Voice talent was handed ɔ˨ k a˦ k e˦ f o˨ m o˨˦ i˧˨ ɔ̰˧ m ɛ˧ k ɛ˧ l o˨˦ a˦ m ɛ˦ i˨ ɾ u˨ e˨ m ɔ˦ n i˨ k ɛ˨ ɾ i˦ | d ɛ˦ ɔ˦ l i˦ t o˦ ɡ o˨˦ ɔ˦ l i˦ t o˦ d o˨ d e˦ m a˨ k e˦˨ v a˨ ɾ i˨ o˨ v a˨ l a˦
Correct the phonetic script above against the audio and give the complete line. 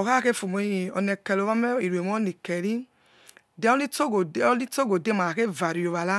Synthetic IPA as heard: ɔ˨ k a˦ k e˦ f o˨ m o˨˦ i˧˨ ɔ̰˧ n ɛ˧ k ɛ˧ l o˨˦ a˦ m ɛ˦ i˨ ɾ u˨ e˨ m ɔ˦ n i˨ k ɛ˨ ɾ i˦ | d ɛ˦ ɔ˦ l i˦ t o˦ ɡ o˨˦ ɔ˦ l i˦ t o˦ ɡ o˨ d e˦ m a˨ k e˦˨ v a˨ ɾ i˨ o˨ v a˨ l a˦

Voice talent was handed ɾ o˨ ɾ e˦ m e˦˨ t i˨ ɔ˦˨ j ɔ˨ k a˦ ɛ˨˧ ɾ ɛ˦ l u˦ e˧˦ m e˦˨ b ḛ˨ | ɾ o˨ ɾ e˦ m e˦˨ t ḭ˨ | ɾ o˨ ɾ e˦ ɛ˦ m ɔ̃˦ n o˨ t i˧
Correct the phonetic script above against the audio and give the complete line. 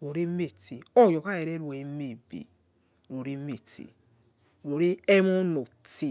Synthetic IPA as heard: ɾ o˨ ɾ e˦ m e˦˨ t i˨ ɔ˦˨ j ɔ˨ k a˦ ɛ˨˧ ɾ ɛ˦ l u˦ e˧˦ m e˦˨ b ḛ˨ | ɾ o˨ ɾ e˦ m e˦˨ t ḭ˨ | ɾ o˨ ɾ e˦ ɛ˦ m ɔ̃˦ n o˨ t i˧

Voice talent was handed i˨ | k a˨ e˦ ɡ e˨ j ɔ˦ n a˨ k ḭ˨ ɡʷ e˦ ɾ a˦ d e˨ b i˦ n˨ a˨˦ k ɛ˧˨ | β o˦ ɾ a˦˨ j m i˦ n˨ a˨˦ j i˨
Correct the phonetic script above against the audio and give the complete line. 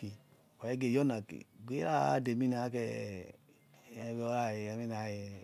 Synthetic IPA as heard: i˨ | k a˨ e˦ ɡ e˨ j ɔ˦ n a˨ k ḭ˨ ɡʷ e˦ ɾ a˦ d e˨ m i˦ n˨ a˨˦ k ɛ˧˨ | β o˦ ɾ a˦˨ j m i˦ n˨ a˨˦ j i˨

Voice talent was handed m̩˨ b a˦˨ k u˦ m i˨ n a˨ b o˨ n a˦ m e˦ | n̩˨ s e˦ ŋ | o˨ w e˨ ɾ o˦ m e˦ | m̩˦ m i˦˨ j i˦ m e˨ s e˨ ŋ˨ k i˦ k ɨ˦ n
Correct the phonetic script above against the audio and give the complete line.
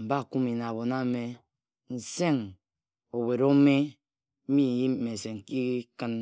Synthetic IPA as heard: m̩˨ b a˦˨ k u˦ m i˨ n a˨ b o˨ n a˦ m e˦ | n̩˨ s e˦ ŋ | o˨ w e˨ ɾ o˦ m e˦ | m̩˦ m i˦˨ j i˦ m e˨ s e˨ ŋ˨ k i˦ k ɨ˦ n

